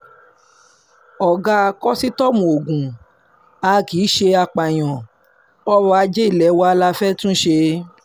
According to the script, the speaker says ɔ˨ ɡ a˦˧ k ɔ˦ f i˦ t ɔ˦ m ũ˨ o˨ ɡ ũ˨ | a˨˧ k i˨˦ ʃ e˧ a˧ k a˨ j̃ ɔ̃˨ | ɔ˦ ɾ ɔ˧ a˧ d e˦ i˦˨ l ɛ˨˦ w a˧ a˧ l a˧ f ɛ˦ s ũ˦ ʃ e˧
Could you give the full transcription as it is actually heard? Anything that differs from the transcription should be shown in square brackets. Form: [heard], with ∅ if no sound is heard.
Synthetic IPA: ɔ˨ ɡ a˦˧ k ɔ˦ [s] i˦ t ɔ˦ m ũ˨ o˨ ɡ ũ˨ | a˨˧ k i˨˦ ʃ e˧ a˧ [k͡p] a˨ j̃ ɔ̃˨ | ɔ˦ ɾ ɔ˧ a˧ [d͡ʒ] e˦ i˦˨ l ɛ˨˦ w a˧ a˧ l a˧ f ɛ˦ [t] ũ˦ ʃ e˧